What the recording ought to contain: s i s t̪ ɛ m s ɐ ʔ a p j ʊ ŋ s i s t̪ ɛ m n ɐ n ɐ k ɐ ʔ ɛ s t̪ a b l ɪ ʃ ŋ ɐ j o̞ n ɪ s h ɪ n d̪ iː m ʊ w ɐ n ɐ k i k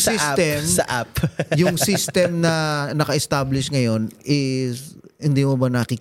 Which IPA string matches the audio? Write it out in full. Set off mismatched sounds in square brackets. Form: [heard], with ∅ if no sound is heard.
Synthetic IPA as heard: s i s t̪ ɛ m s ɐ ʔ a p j ʊ ŋ s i s t̪ ɛ m n ɐ n ɐ k ɐ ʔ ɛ s t̪ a b l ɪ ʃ ŋ ɐ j o̞ n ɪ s h ɪ n d̪ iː m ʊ [b] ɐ n ɐ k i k